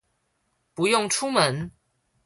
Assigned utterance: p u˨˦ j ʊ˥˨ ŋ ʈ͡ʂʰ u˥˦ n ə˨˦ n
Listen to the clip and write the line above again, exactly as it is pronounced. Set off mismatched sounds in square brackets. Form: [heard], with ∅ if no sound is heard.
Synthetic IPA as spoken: p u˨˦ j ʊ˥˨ ŋ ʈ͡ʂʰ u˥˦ [m] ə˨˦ n